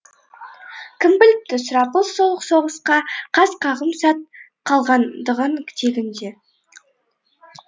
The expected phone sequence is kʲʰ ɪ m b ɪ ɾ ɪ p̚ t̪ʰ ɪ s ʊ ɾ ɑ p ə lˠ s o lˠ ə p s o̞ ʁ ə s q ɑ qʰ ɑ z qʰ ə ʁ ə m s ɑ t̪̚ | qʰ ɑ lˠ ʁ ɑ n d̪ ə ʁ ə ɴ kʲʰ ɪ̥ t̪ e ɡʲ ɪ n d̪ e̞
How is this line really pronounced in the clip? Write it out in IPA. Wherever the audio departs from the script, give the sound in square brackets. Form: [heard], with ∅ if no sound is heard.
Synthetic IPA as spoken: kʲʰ ɪ m b ɪ [l] ɪ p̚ [t̪] ɪ s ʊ ɾ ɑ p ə lˠ s o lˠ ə [q] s o̞ ʁ ə s q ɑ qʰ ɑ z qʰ [ɑ] ʁ ə m s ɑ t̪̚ | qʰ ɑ lˠ ʁ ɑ n d̪ ə ʁ ə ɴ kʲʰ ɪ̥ t̪ e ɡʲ ɪ n d̪ e̞